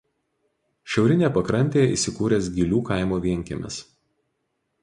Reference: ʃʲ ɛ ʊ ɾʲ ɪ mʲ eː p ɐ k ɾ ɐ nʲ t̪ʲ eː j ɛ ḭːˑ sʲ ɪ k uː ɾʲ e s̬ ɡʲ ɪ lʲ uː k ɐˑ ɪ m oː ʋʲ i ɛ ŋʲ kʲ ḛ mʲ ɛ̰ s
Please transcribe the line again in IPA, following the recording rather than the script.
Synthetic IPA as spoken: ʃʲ ɛ ʊ ɾʲ ɪ nʲ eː p ɐ k ɾ ɐ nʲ t̪ʲ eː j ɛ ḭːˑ sʲ ɪ k uː ɾʲ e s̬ ɡʲ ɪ lʲ uː k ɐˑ ɪ m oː ʋʲ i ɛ ŋʲ kʲ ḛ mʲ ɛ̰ s